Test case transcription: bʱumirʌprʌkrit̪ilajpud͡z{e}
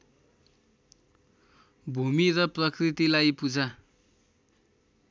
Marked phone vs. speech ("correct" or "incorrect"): incorrect